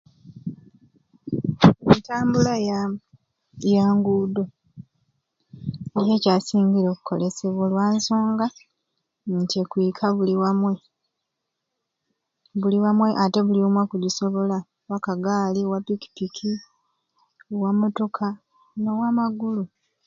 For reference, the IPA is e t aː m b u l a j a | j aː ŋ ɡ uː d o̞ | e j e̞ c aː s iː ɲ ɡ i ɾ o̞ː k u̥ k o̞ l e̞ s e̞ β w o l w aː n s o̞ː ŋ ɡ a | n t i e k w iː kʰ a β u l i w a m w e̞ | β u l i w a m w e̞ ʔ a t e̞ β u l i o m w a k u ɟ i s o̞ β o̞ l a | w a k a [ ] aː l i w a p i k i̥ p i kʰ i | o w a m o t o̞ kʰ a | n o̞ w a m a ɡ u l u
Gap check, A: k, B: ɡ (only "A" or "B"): B